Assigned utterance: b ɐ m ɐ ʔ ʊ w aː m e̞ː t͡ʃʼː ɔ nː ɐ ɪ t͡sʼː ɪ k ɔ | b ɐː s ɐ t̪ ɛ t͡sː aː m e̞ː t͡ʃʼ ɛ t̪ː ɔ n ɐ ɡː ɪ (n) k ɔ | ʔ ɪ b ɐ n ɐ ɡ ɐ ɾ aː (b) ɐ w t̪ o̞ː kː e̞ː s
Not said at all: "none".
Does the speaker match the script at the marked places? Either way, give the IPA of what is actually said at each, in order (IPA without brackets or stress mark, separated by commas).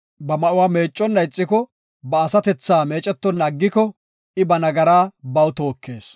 none, b